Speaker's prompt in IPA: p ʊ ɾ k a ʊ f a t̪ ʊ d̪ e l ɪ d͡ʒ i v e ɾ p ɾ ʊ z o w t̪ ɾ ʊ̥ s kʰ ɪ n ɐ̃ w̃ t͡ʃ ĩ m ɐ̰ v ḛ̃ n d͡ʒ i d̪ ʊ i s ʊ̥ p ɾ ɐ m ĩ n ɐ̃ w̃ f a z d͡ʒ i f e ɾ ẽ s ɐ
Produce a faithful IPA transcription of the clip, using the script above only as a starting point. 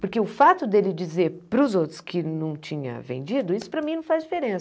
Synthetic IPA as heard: p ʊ ɾ k e ʊ f a t̪ ʊ d̪ e l ɪ d͡ʒ i z e ɾ p ɾ ʊ z o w t̪ ɾ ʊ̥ s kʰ ɪ n ɐ̃ w̃ t͡ʃ ĩ ɲ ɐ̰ v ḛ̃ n d͡ʒ i d̪ ʊ i s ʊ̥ p ɾ ɐ m ĩ n ɐ̃ w̃ f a z d͡ʒ i f e ɾ ẽ s ɐ